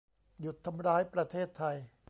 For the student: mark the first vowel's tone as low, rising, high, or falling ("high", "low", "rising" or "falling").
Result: low